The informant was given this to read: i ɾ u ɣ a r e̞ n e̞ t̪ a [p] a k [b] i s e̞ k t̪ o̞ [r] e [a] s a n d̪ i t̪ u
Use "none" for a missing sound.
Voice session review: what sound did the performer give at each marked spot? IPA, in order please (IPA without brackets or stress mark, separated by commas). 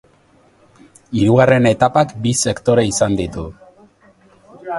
p, b, ɾ, i